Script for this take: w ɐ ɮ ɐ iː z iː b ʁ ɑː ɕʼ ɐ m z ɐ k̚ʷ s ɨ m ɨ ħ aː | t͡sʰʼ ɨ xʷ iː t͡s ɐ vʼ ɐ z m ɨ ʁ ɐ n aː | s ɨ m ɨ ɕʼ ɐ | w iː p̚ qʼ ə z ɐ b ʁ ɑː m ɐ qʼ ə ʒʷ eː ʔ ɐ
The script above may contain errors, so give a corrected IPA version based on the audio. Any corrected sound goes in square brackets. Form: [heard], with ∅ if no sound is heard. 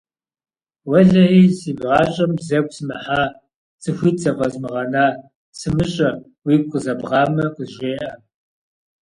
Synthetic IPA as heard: w ɐ ɮ ɐ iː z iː b ʁ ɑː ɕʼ ɐ m z ɐ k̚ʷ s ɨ m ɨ ħ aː | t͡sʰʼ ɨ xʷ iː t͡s ɐ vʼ ɐ z m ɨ ʁ ɐ n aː | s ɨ m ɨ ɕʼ ɐ | w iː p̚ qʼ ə z ɐ b ʁ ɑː m ɐ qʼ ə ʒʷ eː ʔ ɐ